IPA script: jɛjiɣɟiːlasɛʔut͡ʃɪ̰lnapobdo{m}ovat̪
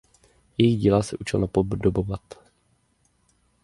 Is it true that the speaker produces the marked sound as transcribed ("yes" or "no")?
no